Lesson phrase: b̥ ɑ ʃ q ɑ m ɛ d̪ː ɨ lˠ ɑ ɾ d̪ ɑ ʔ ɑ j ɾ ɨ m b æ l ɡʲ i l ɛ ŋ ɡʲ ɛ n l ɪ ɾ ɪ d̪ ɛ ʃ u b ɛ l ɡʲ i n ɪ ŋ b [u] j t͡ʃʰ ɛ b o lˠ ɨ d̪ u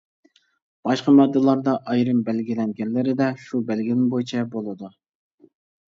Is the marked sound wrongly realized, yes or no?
yes